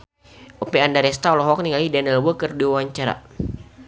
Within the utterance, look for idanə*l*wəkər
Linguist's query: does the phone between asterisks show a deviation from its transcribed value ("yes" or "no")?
no